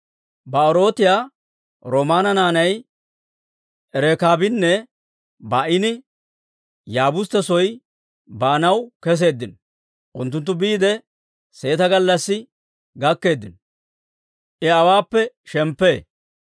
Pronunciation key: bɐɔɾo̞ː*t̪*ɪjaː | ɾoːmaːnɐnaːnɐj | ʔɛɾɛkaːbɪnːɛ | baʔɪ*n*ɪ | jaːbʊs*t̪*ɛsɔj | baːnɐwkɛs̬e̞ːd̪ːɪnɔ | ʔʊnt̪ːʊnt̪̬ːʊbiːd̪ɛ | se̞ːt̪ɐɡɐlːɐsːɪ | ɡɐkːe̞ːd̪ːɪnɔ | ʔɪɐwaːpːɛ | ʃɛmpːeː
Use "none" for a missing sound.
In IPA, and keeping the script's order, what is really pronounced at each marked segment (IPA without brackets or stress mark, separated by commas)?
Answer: t̪, n, t̪